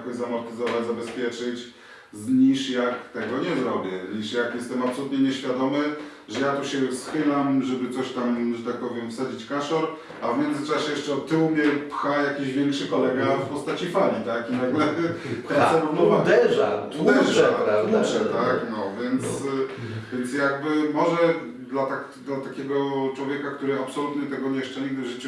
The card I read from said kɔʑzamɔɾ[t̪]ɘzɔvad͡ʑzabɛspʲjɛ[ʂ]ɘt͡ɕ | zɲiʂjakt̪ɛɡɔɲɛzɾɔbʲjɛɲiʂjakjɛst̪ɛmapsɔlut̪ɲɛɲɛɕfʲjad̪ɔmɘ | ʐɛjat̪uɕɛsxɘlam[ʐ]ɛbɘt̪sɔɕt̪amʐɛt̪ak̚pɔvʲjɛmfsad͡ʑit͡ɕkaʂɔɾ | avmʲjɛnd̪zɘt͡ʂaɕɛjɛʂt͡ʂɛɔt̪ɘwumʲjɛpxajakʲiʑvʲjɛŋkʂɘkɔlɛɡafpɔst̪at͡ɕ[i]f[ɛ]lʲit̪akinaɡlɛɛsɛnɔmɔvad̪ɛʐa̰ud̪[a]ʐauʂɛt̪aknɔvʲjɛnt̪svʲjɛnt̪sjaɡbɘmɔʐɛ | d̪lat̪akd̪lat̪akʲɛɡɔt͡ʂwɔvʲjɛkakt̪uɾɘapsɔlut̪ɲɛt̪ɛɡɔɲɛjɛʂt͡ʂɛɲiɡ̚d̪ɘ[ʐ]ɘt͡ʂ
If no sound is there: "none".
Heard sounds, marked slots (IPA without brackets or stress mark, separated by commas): t̪, t͡ʂ, ʐ, i, a, ɛ, ʐ